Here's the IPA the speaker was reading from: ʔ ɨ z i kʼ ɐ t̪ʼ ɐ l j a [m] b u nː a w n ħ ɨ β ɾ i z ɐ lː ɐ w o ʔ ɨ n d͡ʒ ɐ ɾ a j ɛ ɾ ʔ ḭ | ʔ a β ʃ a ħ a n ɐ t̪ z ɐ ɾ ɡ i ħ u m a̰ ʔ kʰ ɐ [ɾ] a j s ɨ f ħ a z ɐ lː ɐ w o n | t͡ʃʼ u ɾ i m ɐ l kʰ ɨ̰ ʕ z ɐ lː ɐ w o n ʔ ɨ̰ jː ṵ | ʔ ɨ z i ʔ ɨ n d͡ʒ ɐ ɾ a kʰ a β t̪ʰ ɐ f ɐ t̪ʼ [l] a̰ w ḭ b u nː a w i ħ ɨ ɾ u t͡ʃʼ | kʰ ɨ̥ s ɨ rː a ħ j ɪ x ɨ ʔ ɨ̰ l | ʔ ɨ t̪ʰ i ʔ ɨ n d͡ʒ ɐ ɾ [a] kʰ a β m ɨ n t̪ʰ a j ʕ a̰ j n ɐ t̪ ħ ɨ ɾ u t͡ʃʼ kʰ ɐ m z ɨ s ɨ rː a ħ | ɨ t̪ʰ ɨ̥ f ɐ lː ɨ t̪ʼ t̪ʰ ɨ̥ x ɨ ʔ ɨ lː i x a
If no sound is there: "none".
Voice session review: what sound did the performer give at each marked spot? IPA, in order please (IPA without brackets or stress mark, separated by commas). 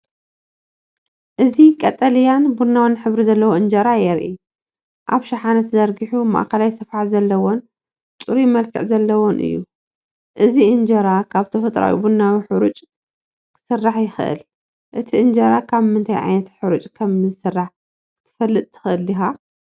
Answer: n, l, ɾ, a